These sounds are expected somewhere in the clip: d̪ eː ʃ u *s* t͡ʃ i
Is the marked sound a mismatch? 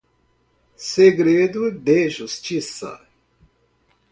no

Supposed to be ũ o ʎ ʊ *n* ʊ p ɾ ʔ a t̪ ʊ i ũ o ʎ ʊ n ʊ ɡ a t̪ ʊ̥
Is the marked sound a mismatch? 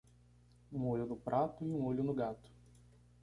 no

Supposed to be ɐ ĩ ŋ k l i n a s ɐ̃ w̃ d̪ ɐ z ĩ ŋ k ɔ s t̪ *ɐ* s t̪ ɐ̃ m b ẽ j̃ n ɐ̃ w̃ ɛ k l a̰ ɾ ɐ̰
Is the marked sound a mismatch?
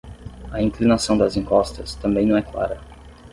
no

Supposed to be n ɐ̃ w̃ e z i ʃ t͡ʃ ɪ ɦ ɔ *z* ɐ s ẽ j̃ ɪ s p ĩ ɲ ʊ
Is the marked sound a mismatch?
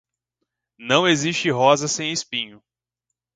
no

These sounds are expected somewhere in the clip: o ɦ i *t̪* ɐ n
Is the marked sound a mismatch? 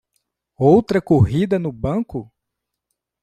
yes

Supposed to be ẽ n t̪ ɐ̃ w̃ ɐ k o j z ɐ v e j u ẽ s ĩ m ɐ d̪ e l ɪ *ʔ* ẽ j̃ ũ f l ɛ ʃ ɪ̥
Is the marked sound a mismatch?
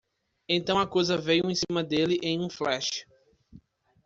no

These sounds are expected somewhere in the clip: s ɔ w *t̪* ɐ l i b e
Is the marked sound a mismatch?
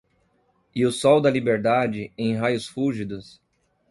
yes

